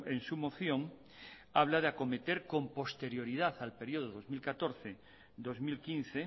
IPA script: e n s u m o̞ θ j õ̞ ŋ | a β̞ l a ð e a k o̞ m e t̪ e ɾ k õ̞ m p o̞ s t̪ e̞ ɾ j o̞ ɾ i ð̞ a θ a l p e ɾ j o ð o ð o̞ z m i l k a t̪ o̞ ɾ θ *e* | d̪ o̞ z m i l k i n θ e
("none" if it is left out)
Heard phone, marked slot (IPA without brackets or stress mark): e